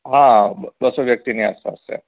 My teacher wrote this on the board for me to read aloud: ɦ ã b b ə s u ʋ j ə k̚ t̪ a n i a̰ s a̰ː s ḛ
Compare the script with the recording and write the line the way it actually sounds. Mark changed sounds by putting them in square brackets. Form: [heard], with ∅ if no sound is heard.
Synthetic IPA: ɦ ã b b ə s [o] ʋ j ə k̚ t̪ [i] n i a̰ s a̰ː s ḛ